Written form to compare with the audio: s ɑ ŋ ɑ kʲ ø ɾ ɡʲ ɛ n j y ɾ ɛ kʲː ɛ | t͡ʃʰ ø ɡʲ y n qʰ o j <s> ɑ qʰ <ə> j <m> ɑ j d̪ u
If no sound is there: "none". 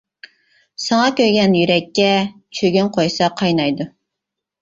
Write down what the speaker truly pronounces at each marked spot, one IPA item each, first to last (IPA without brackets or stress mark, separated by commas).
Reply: s, ɑ, n